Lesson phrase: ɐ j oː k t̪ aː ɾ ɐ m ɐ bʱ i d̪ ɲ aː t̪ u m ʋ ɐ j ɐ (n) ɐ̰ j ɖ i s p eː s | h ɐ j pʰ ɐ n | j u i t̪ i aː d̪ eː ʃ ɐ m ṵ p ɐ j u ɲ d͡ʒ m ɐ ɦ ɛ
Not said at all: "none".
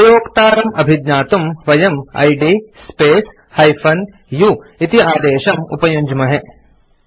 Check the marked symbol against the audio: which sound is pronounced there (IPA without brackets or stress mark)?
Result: m